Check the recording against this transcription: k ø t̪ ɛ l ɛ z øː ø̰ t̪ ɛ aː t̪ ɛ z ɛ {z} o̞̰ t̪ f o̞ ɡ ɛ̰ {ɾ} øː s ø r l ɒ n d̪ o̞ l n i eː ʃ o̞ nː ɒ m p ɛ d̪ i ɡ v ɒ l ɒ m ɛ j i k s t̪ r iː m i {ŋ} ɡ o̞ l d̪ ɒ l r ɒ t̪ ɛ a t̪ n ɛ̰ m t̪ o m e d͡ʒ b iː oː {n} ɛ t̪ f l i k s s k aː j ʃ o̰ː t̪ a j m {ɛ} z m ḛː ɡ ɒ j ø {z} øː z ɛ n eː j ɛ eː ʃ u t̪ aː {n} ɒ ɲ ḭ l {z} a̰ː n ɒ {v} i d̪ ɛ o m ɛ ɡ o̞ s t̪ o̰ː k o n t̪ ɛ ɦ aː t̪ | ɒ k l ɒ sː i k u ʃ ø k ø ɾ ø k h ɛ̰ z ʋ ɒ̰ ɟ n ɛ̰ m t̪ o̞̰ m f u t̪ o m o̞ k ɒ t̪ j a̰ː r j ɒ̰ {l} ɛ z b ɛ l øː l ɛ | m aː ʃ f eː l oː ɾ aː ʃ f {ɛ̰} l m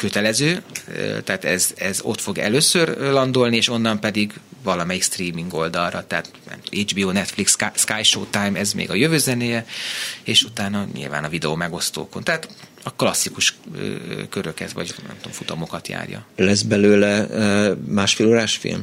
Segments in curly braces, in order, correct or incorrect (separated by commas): correct, incorrect, correct, correct, correct, incorrect, correct, incorrect, correct, correct, incorrect